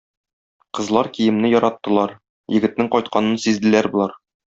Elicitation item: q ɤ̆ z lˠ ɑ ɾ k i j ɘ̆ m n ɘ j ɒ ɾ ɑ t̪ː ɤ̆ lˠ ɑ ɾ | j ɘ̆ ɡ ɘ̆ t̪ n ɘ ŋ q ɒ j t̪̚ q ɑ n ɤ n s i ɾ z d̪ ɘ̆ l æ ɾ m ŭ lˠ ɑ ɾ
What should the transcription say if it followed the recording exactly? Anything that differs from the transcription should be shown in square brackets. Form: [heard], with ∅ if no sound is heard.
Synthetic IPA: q ɤ̆ z lˠ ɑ ɾ k i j ɘ̆ m n ɘ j ɒ ɾ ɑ t̪ː ɤ̆ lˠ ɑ ɾ | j ɘ̆ ɡ ɘ̆ t̪ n ɘ ŋ q ɒ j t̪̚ q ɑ n ɤ n s i [∅] z d̪ ɘ̆ l æ ɾ [b] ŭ lˠ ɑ ɾ